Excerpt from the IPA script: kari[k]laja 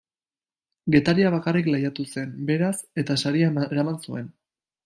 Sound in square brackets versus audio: correct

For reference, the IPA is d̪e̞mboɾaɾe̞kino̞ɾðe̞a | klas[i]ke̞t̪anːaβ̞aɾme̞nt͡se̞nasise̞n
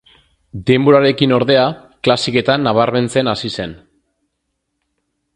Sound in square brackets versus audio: correct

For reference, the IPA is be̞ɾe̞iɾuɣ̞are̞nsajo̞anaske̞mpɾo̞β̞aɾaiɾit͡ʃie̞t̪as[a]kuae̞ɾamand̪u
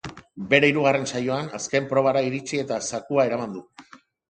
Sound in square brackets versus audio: correct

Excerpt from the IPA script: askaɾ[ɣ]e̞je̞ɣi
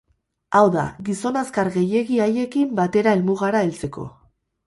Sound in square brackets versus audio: correct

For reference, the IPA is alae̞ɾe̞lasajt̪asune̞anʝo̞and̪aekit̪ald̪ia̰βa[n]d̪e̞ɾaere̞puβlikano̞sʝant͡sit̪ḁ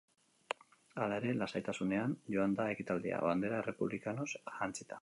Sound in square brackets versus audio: correct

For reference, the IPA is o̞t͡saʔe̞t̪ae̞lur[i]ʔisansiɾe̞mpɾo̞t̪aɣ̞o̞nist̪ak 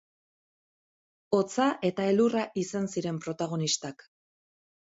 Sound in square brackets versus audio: incorrect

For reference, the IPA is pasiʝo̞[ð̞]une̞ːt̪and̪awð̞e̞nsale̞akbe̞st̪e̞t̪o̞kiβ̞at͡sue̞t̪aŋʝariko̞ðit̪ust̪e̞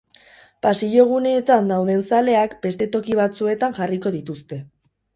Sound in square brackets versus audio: incorrect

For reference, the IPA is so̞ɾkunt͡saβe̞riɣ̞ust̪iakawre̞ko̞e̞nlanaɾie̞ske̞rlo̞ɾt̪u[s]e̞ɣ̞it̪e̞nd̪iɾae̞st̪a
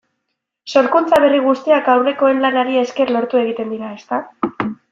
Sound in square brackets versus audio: incorrect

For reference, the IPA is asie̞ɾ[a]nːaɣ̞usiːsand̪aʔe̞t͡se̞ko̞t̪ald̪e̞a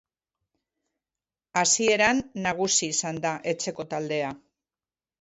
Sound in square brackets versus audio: correct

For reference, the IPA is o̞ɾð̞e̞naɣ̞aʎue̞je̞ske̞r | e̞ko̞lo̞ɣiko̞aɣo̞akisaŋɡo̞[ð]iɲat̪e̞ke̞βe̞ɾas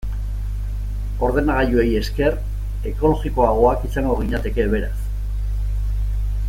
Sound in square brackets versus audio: incorrect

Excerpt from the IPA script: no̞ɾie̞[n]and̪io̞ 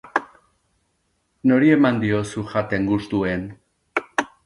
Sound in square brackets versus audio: incorrect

